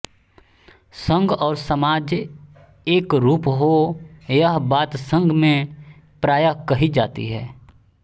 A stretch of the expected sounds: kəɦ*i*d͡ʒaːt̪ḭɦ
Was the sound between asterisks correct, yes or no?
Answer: yes